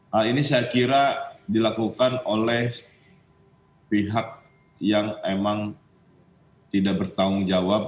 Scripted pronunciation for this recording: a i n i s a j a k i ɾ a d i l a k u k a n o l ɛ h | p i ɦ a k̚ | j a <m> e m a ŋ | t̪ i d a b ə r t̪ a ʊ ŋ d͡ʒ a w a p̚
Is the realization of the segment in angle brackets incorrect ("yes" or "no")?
yes